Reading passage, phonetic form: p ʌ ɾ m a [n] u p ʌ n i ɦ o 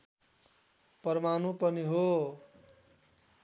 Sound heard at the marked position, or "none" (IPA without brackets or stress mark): n